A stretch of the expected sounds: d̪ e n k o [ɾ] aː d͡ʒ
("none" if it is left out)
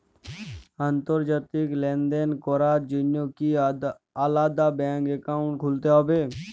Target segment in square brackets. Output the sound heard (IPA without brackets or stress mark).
ɾ